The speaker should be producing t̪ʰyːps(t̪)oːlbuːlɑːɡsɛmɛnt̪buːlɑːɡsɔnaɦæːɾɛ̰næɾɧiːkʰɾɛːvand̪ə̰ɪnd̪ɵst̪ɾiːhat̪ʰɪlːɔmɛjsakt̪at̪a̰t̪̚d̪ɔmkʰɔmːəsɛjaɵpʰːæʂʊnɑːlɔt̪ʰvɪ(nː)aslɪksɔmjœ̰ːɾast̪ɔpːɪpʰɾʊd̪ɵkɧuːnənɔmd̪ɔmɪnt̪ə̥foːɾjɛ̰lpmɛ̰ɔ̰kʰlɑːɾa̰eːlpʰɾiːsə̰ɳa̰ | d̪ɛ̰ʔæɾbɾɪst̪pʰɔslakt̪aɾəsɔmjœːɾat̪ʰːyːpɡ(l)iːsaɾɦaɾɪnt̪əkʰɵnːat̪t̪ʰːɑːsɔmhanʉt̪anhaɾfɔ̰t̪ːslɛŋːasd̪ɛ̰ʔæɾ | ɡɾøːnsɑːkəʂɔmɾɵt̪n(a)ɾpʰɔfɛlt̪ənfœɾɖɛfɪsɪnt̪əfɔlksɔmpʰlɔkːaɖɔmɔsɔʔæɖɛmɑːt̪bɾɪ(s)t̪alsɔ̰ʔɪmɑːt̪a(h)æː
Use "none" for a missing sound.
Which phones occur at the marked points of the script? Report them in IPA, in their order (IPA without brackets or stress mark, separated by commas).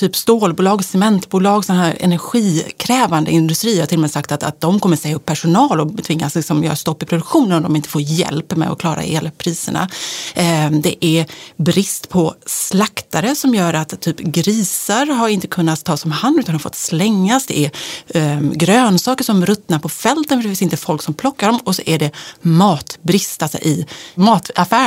t̪, ŋː, ɾ, a, s, f